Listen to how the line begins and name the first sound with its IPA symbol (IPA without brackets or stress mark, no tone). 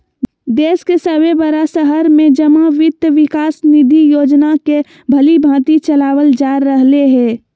d̪